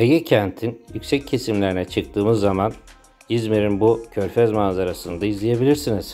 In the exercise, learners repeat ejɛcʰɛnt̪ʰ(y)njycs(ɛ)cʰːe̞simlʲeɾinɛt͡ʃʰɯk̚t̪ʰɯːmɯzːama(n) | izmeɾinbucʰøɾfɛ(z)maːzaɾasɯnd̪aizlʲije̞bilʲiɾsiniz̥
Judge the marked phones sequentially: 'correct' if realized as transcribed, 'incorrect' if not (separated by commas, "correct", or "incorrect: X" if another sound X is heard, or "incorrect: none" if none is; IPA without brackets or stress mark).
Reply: incorrect: i, correct, correct, correct